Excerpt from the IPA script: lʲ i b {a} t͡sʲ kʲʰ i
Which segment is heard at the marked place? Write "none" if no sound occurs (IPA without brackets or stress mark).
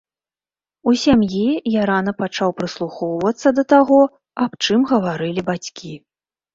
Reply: a